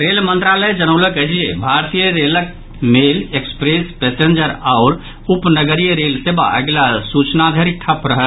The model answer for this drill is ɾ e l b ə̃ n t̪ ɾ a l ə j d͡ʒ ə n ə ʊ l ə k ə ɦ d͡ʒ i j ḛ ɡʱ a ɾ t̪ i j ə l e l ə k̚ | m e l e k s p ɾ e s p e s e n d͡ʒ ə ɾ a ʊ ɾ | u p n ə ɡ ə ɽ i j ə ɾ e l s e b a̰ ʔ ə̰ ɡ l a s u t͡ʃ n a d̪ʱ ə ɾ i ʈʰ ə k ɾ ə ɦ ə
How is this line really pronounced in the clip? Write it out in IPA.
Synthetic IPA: ɾ e l m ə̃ n t̪ ɾ a l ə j d͡ʒ ə n ə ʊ l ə k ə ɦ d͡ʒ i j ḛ bʱ a ɾ t̪ i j ə ɾ e l ə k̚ | m e l e k s p ɾ e s p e s e n d͡ʒ ə ɾ a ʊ ɾ | u p n ə ɡ ə ɾ i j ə ɾ e l s e b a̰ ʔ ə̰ ɡ l a s u t͡ʃ n a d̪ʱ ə ɾ i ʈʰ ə p ɾ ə ɦ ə